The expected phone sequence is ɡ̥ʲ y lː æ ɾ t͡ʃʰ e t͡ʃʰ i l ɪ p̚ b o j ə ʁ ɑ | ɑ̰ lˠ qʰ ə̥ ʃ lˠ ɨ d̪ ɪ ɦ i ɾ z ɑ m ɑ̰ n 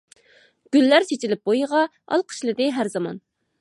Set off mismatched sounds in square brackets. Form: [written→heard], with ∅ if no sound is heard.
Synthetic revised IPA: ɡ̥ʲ y lː æ ɾ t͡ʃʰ e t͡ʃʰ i l ɪ p̚ b o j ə ʁ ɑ | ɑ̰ lˠ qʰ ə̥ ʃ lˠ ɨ d̪ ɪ ɦ [i→æ] ɾ z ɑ m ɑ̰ n